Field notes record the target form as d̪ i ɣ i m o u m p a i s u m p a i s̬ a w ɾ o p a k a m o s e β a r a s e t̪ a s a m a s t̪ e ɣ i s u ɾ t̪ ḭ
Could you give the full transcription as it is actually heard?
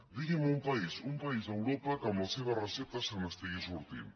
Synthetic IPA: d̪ i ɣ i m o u m p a i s u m p a i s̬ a w ɾ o p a k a m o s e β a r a s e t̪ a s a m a s t̪ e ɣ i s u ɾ t̪ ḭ